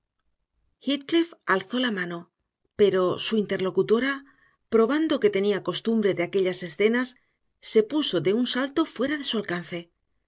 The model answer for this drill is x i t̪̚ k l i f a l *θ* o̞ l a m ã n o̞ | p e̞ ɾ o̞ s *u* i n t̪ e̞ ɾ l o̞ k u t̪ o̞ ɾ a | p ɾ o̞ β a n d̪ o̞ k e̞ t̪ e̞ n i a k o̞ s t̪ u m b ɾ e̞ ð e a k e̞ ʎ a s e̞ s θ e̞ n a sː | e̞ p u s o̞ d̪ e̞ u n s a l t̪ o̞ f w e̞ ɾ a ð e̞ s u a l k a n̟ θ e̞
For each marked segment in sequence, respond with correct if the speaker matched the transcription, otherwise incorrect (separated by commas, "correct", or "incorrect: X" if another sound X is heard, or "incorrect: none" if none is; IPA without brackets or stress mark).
correct, correct